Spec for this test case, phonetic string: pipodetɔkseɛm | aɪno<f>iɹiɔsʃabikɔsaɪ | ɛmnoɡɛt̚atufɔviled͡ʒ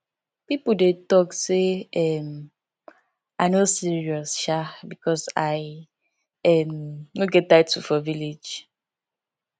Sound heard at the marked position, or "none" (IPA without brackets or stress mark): s